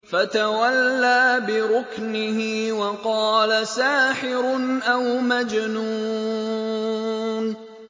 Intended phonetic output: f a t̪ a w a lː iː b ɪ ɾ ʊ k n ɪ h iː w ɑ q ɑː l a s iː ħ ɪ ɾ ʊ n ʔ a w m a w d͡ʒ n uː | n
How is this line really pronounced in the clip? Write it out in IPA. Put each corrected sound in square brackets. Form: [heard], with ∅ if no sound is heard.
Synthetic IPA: f a t̪ a w a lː [aː] b ɪ ɾ ʊ k n ɪ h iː w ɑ q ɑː l a s [aː] ħ ɪ ɾ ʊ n ʔ a w m a [∅] d͡ʒ n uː | n